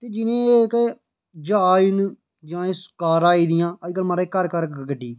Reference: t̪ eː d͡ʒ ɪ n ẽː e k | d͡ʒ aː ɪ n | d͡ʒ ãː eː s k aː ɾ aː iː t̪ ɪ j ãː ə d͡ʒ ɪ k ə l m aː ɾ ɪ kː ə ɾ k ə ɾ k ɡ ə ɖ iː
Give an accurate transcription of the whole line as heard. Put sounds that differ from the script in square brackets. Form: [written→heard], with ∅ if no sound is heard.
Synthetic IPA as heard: t̪ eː d͡ʒ ɪ n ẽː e k | d͡ʒ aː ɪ n | d͡ʒ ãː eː s k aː ɾ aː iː [t̪→d̪] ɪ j ãː ə d͡ʒ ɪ k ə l m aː ɾ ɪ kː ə ɾ k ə ɾ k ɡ ə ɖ iː